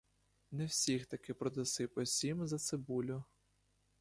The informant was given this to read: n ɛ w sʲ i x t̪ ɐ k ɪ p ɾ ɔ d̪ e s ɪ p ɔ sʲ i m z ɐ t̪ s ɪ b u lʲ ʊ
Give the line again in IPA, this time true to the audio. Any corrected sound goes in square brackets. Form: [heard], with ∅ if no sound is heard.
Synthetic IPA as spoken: n ɛ w sʲ i x t̪ ɐ k ɪ p ɾ ɔ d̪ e s ɪ p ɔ sʲ i m z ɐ t̪ s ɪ b u lʲ ʊ